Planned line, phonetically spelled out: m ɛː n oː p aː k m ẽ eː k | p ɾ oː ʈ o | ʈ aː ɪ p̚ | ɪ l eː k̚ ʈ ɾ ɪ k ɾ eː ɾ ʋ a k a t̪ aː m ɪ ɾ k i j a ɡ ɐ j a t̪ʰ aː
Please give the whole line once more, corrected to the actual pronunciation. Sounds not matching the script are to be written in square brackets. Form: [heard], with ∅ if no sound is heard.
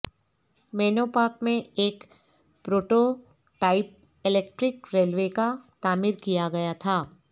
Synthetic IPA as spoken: m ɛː n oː p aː k m ẽ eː k | p ɾ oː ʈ o | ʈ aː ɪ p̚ | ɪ l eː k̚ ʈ ɾ ɪ k ɾ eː [l] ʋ [e] k a t̪ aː m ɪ ɾ k i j a ɡ ɐ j a t̪ʰ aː